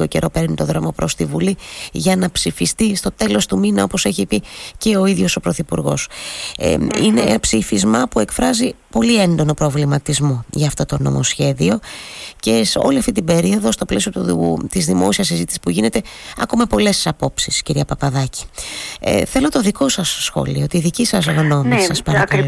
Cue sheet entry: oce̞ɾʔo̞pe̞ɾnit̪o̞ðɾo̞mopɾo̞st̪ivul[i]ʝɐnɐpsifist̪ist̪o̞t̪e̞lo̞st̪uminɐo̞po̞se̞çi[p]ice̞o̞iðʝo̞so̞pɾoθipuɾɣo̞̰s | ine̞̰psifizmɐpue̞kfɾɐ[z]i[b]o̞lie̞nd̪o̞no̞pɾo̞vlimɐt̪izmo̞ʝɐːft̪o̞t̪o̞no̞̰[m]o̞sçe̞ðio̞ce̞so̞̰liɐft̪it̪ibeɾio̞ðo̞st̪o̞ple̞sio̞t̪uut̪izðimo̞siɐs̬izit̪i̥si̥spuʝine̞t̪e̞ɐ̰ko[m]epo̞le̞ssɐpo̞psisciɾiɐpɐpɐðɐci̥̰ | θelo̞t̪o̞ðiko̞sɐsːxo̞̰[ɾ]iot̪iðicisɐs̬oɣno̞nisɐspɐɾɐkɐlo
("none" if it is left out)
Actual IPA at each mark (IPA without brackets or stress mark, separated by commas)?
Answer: i, p, z, p, m, m, l